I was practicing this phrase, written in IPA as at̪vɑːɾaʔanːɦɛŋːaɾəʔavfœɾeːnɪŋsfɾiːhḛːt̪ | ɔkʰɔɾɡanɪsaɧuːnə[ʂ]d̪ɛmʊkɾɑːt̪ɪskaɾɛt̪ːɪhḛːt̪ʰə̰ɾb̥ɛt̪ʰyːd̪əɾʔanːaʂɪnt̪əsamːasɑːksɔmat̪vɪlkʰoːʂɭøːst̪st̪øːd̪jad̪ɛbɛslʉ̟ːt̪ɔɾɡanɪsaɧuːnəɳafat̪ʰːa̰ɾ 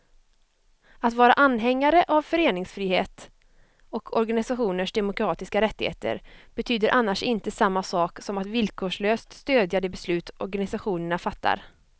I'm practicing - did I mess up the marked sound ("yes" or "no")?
no